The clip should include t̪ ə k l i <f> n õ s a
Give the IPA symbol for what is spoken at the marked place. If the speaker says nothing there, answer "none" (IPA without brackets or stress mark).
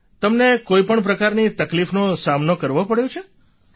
f